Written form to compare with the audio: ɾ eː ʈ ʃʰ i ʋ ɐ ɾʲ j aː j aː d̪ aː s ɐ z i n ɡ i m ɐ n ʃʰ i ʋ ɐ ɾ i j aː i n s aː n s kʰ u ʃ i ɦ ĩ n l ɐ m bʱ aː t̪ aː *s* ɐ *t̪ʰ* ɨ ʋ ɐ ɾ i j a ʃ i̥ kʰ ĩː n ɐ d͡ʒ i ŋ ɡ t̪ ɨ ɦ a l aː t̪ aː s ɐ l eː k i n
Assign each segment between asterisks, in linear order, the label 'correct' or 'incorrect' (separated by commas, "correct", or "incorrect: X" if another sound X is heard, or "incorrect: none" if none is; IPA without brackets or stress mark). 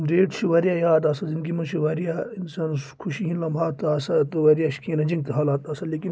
correct, incorrect: t̪